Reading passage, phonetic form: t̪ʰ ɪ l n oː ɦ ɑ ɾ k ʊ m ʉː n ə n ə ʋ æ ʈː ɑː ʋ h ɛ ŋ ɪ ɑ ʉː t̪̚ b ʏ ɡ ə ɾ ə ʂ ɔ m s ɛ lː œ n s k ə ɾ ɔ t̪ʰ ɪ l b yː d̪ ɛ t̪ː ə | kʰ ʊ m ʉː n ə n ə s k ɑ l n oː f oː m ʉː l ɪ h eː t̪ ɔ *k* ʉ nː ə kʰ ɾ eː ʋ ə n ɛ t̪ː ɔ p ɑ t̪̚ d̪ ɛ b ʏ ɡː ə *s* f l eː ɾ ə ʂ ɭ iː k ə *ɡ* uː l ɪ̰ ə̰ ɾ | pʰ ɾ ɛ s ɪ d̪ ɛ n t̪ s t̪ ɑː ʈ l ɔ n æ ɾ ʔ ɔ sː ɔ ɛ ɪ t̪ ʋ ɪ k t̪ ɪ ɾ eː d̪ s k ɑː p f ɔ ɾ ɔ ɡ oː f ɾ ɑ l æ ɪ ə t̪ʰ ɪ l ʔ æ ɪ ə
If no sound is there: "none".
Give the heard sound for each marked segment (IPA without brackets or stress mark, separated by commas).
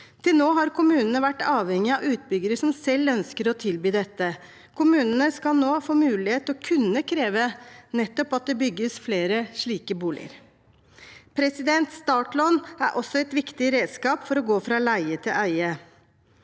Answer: kʰ, s, b